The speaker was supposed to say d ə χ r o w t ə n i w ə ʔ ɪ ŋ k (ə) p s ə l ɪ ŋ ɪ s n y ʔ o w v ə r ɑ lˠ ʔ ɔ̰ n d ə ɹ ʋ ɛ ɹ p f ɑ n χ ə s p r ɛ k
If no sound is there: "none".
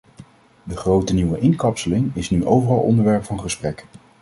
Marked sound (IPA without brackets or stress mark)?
ɑ